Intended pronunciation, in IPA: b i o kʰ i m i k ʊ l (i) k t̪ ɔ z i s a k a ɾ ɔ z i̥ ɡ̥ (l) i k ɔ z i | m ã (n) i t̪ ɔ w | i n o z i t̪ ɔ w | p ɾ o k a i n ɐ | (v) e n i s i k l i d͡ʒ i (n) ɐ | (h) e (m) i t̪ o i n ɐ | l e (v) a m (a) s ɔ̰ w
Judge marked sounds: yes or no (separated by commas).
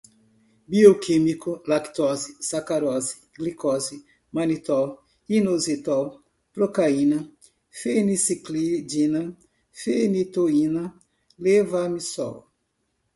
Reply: no, yes, yes, no, yes, no, no, yes, no